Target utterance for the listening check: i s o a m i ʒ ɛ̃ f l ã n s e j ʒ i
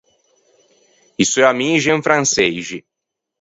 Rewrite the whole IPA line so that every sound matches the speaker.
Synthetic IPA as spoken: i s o a m i ʒ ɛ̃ f ɾ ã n s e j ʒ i